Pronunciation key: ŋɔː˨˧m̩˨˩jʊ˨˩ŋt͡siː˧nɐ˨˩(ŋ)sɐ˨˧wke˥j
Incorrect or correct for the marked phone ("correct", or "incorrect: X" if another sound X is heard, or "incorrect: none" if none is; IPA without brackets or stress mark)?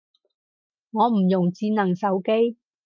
correct